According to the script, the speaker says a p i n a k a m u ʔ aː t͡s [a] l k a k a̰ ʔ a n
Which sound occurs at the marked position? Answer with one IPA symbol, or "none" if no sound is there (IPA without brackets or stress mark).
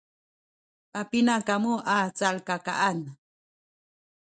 a